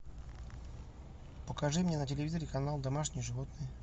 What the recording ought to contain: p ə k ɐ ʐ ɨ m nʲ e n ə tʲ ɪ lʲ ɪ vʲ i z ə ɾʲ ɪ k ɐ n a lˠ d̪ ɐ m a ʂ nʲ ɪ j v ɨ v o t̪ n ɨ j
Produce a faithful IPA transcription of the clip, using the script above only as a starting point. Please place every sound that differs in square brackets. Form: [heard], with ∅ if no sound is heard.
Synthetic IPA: p ə k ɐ ʐ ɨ m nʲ e n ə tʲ ɪ lʲ ɪ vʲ i z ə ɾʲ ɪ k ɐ n a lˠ d̪ ɐ m a ʂ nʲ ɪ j [ʐ] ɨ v o t̪ n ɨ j